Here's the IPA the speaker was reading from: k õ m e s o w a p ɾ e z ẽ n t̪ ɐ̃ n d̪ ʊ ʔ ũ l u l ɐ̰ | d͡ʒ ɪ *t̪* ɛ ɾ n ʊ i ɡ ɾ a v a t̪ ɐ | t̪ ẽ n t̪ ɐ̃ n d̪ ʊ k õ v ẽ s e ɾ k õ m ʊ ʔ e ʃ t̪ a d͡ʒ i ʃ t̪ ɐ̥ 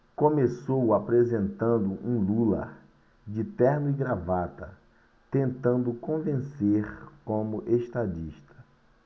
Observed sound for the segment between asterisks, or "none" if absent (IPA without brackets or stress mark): t̪